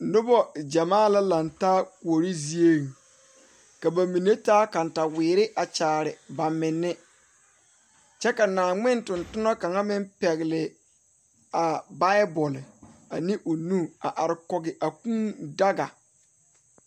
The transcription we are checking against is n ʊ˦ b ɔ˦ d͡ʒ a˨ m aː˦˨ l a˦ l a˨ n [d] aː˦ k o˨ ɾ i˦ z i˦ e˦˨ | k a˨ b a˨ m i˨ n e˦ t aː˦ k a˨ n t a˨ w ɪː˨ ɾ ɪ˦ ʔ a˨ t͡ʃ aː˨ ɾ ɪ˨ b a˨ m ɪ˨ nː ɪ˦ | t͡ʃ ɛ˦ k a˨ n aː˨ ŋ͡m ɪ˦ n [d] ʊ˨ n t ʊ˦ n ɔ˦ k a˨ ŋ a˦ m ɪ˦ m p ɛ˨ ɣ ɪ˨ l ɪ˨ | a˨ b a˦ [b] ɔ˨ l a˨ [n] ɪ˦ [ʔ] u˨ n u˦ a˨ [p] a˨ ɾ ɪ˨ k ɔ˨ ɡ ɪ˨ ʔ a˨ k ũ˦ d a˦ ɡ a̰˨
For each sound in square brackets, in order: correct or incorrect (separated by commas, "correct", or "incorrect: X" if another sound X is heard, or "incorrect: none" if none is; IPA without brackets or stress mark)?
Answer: incorrect: t, incorrect: t, correct, correct, correct, incorrect: ʔ